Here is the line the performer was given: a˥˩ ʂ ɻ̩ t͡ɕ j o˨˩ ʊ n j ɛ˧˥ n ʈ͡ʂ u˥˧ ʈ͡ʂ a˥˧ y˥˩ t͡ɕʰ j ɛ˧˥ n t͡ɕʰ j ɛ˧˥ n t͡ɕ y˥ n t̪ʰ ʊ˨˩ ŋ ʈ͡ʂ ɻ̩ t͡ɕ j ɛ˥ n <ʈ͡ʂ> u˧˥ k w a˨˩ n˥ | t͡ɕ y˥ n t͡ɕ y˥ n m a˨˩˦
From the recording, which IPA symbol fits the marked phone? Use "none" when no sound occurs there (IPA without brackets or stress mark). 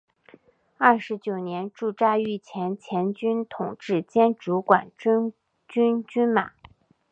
ʈ͡ʂ